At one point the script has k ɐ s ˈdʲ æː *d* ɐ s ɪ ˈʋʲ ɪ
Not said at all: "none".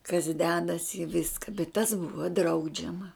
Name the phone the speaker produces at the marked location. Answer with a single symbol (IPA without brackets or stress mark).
d